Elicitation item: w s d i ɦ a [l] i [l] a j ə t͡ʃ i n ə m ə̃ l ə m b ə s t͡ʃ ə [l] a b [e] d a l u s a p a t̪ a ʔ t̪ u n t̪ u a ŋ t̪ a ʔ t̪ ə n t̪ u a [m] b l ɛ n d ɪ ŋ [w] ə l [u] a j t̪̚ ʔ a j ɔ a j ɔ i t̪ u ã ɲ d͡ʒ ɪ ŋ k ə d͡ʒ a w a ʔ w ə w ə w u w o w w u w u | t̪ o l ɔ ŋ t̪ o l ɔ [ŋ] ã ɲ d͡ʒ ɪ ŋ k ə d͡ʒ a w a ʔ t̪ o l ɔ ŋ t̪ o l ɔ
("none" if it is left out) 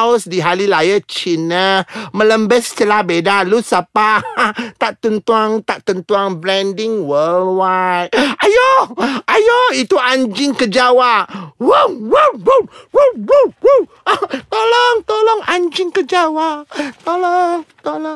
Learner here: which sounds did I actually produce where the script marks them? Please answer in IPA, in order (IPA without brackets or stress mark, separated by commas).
l, l, l, e, ŋ, w, w, ŋ